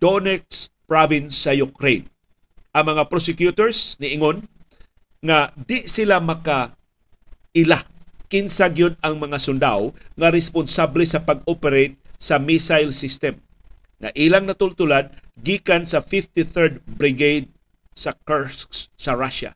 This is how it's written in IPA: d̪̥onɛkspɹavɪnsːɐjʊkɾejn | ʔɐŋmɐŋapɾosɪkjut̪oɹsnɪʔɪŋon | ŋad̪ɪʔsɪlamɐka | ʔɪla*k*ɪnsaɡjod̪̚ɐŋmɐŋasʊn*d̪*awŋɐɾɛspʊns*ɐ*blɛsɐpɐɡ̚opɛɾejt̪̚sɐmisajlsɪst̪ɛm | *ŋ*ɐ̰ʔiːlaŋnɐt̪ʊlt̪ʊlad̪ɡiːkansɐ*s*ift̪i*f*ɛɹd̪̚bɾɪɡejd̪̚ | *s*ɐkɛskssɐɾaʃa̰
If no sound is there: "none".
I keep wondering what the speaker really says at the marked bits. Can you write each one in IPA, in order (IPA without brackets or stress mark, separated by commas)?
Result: k, d̪, a, ŋ, f, θ, s